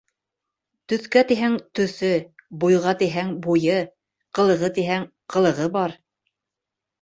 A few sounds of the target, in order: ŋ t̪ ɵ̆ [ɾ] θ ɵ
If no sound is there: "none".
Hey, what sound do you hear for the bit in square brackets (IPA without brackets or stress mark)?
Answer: none